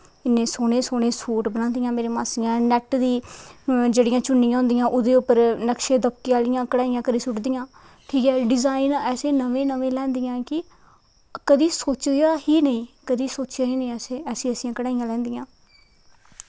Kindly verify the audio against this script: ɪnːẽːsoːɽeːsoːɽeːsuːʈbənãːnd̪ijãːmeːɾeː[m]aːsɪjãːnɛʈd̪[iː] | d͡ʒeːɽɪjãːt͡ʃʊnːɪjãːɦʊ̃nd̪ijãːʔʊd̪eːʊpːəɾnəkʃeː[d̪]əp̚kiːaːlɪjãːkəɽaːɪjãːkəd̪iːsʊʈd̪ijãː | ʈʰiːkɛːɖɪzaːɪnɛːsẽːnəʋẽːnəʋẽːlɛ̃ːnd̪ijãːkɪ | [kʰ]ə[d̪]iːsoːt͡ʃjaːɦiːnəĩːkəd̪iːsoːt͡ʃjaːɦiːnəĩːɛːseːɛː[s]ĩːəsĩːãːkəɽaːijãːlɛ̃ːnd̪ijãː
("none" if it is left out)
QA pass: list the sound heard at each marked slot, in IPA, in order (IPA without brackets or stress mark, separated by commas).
m, iː, d̪, k, d̪, s